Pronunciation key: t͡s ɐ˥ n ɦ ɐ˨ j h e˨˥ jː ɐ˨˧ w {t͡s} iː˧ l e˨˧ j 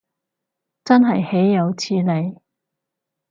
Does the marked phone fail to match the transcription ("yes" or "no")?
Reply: yes